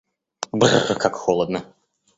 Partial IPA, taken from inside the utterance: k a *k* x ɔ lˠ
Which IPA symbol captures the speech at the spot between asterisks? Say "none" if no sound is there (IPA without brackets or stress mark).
k